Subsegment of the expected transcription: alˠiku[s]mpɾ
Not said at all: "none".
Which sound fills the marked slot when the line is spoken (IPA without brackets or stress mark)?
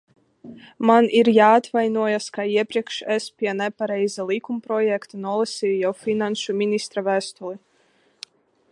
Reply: none